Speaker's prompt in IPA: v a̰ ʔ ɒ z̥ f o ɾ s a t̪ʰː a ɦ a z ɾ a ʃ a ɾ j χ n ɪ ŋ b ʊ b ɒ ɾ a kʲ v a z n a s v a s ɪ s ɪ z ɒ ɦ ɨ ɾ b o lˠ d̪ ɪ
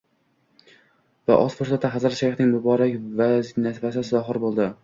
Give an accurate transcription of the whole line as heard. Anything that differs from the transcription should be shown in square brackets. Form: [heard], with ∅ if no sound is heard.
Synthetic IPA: v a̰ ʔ ɒ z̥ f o ɾ s a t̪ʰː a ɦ a z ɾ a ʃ a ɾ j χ n ɪ ŋ b ʊ b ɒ ɾ a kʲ v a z n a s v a s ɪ s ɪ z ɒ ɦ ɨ ɾ b o lˠ d̪ ɪ